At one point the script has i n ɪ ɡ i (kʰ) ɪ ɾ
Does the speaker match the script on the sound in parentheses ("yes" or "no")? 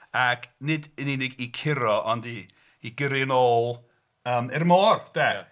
yes